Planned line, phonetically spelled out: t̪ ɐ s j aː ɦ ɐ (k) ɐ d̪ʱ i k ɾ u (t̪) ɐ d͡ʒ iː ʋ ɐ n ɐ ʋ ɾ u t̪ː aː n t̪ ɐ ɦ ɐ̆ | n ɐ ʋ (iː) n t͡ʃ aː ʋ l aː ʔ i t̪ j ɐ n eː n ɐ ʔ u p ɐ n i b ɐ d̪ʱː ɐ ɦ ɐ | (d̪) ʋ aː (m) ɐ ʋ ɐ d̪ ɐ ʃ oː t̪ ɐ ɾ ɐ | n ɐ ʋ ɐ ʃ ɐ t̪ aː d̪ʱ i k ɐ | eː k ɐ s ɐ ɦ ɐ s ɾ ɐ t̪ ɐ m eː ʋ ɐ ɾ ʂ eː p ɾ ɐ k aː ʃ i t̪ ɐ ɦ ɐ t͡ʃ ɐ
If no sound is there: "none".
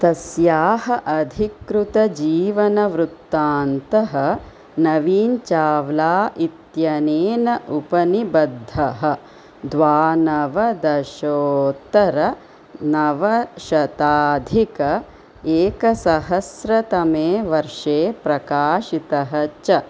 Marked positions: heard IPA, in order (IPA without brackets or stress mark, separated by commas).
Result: ʔ, t̪, iː, d̪, n